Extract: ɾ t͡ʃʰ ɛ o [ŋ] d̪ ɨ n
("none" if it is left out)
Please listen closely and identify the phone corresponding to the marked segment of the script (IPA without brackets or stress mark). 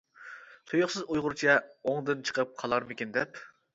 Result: ŋ